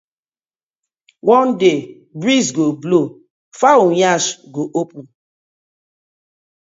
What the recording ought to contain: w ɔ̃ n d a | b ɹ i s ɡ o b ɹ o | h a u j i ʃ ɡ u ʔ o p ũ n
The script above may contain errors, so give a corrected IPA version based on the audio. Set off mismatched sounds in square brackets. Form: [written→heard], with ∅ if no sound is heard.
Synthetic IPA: w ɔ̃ n d [a→e] | b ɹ i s ɡ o b [ɹ→l] o | [h→f] a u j [i→a] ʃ ɡ [u→o] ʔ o p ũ n